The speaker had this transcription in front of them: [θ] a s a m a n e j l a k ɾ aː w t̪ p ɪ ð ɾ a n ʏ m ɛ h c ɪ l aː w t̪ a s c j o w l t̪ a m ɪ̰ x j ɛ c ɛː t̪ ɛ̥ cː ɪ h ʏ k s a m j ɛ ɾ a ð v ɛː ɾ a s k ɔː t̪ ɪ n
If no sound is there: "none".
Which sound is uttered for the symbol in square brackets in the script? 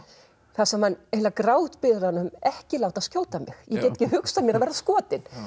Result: θ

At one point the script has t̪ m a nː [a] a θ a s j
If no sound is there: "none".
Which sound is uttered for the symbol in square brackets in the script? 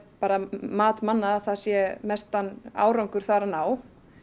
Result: a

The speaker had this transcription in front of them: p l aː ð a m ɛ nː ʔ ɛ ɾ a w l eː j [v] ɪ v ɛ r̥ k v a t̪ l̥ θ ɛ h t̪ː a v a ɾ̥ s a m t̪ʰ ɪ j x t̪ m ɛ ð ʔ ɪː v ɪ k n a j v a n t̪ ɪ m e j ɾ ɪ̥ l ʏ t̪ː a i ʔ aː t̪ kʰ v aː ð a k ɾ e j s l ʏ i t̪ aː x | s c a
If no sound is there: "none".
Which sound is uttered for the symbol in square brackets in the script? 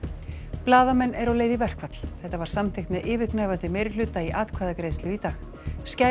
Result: ð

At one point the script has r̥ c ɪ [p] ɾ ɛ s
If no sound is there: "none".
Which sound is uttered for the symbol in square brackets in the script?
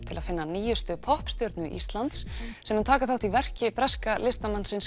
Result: p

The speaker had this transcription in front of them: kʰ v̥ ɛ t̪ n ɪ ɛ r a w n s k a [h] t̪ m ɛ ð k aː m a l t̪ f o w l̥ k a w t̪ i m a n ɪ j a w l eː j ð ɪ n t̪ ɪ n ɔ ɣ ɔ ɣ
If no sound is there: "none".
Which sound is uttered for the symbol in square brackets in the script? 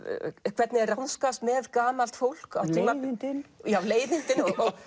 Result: s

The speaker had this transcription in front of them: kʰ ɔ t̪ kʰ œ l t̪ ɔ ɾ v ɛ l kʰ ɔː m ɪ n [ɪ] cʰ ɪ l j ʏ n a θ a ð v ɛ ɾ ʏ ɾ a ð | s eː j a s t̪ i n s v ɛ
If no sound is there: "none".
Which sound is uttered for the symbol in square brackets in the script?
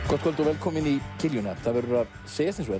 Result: i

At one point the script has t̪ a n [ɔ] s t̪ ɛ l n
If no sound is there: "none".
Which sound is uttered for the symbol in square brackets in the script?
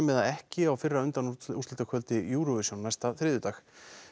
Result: u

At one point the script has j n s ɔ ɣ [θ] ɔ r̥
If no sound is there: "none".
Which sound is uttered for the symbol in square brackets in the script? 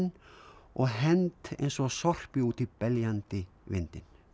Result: s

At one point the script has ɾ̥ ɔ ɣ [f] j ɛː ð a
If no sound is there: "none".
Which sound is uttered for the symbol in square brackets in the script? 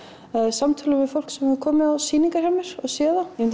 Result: s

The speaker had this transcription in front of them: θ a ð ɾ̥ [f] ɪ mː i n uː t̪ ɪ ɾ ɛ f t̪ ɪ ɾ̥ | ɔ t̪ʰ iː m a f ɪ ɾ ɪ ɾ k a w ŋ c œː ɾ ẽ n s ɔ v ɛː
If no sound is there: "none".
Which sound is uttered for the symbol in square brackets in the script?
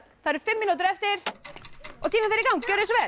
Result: f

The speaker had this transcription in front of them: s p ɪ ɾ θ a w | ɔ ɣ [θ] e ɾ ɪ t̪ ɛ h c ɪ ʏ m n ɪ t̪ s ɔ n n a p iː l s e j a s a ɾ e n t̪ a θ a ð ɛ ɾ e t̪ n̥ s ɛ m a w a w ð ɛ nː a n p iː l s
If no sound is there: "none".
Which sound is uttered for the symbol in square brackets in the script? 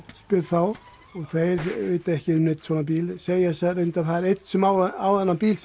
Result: θ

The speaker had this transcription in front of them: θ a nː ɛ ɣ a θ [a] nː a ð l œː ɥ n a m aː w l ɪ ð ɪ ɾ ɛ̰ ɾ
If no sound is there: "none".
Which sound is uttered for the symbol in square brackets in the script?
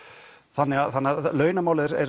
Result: a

